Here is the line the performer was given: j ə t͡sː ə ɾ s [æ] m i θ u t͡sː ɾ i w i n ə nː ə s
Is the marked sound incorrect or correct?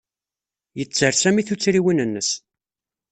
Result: correct